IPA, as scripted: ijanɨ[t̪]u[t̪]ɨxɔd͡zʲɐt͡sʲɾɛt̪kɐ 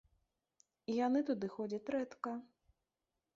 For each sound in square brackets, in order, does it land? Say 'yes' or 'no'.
yes, no

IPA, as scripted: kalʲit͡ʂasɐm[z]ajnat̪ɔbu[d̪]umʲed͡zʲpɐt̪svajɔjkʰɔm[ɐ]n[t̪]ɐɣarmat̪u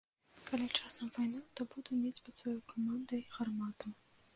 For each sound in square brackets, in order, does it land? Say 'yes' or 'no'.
no, yes, no, no

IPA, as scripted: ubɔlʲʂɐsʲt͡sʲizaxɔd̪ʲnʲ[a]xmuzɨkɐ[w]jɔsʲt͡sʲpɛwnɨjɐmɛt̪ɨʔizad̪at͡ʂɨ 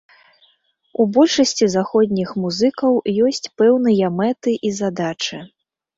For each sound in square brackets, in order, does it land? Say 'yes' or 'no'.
no, yes

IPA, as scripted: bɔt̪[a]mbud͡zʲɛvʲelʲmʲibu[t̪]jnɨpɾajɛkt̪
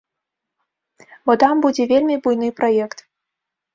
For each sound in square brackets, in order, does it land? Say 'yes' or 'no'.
yes, no

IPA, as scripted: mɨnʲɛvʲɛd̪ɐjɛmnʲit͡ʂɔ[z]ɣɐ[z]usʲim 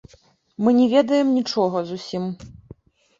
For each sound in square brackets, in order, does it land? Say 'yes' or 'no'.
no, yes

